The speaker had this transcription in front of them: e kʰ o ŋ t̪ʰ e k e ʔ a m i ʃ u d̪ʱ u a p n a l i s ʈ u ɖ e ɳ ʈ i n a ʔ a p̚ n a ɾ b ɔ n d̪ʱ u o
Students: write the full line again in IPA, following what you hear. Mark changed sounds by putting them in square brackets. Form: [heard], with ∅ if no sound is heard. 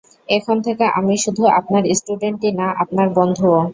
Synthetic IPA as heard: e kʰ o [n] t̪ʰ e k e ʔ a m i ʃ u d̪ʱ u a p n a [ɾ] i s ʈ u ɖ e ɳ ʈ i n a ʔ a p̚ n a ɾ b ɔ n d̪ʱ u o